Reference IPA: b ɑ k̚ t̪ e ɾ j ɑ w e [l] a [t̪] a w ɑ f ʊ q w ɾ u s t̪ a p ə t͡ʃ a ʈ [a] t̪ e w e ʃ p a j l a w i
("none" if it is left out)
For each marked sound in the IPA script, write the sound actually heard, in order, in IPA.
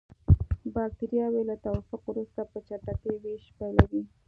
l, t̪, a

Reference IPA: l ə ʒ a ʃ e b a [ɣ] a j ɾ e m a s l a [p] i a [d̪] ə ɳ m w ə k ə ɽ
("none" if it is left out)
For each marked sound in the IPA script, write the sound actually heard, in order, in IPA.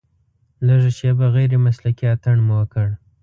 ɣ, k, t̪

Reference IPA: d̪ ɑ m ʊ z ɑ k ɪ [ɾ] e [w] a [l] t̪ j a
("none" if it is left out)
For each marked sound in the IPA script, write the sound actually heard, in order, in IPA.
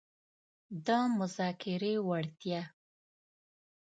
ɾ, w, ɽ

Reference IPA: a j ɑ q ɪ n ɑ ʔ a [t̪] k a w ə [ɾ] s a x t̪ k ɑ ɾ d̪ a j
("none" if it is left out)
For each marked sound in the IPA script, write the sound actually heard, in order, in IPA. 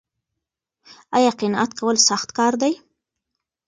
t̪, l

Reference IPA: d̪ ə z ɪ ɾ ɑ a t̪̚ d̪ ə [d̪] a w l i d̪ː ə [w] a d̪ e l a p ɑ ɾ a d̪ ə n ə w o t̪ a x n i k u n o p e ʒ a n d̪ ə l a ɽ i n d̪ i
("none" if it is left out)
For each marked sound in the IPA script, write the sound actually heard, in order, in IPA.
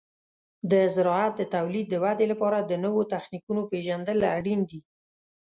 t̪, w

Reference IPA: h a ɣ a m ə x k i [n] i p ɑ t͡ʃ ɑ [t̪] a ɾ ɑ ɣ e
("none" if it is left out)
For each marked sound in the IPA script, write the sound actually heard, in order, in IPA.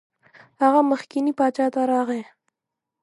n, t̪

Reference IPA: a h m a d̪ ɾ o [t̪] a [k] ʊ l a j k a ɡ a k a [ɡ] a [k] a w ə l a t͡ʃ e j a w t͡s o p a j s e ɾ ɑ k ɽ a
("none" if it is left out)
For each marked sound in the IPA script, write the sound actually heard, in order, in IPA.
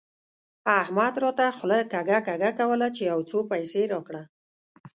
t̪, x, ɡ, k

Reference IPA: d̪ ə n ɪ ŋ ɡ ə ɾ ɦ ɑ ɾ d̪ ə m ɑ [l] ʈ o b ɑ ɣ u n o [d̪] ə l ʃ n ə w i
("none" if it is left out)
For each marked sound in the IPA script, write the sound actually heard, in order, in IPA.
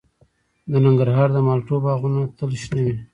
l, t̪

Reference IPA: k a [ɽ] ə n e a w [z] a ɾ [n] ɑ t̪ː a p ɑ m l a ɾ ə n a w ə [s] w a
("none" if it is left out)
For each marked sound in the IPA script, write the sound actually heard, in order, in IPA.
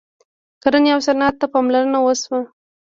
ɾ, s, n, s

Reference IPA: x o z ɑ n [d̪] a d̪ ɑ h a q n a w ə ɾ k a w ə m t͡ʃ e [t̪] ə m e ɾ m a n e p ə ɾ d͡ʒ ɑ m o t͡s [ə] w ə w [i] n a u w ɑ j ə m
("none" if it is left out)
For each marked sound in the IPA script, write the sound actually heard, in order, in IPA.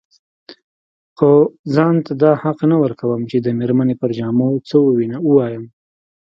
t̪, d̪, ə, i

